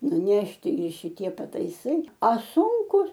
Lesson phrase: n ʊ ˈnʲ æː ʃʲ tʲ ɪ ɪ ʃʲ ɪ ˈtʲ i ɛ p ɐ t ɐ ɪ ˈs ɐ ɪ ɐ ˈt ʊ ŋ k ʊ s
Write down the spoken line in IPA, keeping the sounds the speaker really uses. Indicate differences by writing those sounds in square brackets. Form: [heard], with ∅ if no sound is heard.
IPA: n ʊ ˈnʲ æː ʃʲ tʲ ɪ ɪ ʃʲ ɪ ˈtʲ i ɛ p ɐ t ɐ ɪ ˈs ɐ ɪ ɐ [ˈs] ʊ ŋ k ʊ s

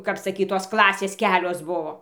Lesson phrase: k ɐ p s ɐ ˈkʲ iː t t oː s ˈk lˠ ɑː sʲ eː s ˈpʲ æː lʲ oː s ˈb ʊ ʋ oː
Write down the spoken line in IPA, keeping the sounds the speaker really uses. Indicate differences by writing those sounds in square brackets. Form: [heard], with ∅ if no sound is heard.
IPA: k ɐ p s ɐ ˈkʲ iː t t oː s ˈk lˠ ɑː sʲ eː s [ˈkʲ] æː lʲ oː s ˈb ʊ ʋ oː

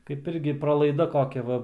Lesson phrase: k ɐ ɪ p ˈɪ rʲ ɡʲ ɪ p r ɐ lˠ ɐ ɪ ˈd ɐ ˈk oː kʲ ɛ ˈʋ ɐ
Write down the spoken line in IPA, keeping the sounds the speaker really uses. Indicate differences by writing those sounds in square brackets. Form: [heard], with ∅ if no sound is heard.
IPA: k ɐ ɪ p ˈɪ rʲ ɡʲ ɪ p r ɐ lˠ ɐ ɪ ˈd ɐ ˈk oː kʲ ɛ ˈʋ ɐ

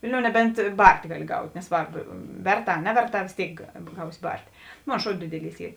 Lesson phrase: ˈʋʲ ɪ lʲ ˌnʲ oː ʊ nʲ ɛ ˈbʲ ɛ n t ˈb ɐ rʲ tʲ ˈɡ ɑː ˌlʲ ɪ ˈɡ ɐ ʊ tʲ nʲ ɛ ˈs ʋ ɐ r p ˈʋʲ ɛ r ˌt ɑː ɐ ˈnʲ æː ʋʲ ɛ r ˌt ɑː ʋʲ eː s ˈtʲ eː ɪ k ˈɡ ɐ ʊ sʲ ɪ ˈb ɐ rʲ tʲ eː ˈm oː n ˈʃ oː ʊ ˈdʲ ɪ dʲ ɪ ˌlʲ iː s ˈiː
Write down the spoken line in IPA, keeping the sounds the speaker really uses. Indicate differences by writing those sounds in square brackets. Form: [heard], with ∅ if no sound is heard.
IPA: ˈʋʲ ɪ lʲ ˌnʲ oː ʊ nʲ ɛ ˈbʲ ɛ n t ˈb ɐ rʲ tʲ ˈɡ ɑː ˌlʲ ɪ ˈɡ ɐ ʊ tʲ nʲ ɛ ˈs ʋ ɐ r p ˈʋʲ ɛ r ˌt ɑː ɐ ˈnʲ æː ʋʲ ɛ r ˌt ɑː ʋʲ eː s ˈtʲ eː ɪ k ˈɡ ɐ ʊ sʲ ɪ ˈb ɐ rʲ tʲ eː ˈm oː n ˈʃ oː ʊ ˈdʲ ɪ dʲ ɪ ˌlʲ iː s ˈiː

